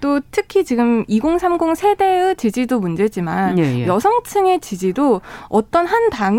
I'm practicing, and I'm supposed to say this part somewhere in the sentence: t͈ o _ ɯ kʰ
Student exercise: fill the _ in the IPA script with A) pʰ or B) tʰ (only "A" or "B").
B